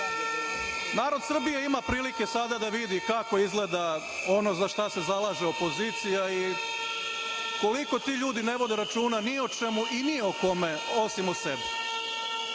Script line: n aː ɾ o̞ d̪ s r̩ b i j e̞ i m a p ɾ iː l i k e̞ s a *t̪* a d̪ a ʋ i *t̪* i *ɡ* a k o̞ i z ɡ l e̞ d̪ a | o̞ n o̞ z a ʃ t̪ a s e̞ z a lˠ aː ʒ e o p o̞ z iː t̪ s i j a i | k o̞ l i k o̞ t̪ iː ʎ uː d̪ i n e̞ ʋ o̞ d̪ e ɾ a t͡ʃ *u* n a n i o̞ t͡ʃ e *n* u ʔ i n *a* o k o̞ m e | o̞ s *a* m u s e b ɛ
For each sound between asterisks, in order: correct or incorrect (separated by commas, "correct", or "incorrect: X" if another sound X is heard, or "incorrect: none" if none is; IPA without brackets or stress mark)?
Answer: incorrect: d̪, incorrect: d̪, incorrect: k, incorrect: uː, incorrect: m, incorrect: i, incorrect: i